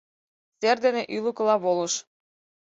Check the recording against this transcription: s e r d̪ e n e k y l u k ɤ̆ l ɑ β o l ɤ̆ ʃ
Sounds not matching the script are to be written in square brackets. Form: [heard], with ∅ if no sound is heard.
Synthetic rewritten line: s e r d̪ e n e [ʔ] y l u k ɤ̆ l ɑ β o l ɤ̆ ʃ